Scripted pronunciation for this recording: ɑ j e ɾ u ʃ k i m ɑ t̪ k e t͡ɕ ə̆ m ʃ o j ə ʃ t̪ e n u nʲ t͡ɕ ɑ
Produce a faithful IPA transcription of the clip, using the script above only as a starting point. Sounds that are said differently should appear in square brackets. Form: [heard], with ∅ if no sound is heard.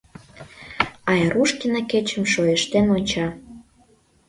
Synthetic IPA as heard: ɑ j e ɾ u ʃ k i [n] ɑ [∅] k e t͡ɕ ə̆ m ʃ o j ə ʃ t̪ e n [o] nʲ t͡ɕ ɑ